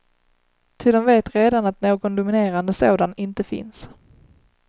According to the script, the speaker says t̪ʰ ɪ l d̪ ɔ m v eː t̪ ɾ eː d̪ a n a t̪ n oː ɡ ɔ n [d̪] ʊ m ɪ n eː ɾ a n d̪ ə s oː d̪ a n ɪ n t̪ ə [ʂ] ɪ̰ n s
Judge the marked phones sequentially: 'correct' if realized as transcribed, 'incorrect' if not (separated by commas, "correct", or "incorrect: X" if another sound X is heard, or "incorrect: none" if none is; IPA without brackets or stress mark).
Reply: correct, incorrect: f